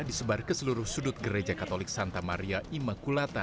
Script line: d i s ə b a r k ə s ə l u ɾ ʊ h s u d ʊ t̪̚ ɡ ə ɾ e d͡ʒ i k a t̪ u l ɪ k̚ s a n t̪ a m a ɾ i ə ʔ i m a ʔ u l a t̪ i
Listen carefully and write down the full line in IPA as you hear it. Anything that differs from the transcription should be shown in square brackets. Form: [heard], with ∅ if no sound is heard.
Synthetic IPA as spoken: d i s ə b a r k ə s ə l u ɾ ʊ h s u d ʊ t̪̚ ɡ ə ɾ e d͡ʒ [a] k a t̪ [o] l ɪ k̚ s a n t̪ a m a ɾ i [a] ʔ i m a [k] u l a t̪ [a]